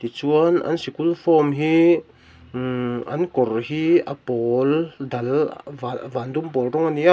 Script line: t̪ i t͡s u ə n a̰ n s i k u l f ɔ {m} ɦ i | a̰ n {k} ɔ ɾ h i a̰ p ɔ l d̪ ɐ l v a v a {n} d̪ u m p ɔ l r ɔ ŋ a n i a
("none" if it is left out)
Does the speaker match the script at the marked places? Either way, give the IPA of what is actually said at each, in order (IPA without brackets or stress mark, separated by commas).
m, k, n